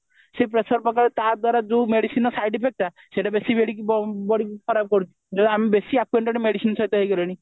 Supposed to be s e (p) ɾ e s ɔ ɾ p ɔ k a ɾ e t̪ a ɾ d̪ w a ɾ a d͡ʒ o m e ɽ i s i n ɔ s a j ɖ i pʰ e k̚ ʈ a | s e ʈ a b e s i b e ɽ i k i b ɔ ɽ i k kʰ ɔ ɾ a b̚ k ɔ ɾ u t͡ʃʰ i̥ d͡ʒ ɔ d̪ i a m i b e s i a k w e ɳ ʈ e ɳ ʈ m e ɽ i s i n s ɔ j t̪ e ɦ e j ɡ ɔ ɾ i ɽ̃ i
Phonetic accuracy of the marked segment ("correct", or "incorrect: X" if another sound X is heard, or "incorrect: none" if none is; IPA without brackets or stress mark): correct